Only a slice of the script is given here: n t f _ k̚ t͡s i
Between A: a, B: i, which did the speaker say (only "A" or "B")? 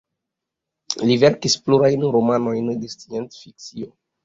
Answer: B